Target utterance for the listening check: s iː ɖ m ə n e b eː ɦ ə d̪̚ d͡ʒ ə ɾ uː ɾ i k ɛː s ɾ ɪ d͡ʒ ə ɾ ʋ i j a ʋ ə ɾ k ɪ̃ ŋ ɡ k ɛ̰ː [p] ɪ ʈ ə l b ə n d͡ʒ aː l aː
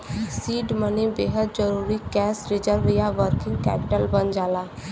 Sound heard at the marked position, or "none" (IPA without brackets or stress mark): p